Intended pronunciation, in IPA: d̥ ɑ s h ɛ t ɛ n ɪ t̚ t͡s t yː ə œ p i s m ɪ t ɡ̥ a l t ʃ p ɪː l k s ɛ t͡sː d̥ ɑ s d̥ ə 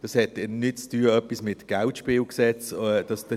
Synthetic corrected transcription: d̥ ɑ s h ɛ t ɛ n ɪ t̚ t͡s t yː ə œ p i s m ɪ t ɡ̥ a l t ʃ p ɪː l k s ɛ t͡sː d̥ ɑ s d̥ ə